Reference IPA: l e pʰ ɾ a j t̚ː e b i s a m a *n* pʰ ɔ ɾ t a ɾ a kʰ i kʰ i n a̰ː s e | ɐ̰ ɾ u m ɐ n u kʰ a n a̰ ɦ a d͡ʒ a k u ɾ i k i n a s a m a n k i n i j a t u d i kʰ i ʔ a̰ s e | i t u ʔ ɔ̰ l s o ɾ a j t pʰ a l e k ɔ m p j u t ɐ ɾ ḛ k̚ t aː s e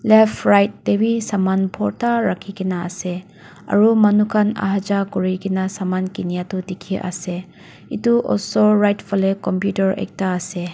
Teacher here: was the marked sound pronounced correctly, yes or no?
yes